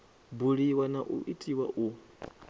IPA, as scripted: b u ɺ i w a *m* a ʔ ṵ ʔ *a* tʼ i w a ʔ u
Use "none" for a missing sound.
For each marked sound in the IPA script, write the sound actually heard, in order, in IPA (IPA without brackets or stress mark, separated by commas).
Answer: n, i